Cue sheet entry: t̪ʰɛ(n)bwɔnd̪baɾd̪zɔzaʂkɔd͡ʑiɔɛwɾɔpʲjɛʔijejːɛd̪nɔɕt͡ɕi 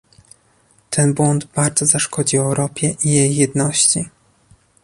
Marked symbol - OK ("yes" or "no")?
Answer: yes